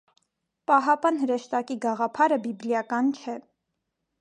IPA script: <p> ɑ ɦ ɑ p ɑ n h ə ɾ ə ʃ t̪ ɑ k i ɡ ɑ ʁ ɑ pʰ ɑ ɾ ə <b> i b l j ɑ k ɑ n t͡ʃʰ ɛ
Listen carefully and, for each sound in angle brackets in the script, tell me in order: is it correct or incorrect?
correct, correct

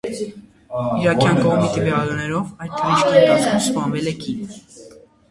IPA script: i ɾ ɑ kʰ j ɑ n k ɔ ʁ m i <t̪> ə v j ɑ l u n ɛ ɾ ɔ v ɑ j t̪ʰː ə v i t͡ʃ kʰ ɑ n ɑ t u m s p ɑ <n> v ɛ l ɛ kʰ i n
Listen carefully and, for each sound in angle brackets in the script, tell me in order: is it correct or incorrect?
correct, correct

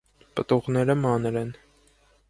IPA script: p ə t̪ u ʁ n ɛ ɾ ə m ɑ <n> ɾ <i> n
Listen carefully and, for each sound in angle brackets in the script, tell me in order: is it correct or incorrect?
correct, incorrect

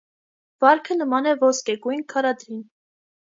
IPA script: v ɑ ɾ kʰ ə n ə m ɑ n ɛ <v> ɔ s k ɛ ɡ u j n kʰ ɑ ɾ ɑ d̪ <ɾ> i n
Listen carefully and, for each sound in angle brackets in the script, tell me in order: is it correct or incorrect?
correct, correct

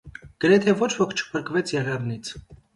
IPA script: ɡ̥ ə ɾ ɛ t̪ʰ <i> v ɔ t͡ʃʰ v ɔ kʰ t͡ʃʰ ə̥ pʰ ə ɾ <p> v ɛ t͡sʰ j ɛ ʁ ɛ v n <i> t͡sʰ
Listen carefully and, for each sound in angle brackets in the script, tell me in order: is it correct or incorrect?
incorrect, incorrect, correct

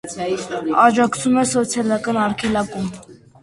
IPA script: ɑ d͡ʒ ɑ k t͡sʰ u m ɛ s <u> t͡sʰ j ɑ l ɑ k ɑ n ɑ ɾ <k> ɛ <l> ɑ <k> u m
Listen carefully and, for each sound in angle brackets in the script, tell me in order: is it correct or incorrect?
incorrect, incorrect, correct, correct

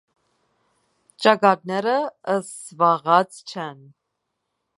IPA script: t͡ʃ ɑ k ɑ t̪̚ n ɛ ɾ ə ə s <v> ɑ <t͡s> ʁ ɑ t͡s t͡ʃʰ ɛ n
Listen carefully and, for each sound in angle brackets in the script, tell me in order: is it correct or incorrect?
correct, incorrect

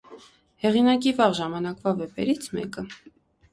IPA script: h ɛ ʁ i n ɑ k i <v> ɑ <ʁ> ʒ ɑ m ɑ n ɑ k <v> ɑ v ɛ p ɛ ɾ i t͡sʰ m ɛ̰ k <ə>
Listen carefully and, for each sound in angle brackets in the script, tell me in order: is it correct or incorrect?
correct, correct, correct, correct

